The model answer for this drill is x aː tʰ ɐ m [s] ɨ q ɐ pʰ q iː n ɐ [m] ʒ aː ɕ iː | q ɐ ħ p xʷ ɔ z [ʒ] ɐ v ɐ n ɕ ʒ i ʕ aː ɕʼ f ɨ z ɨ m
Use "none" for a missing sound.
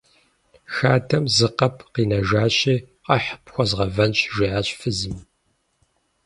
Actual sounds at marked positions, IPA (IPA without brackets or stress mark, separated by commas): z, none, ʁ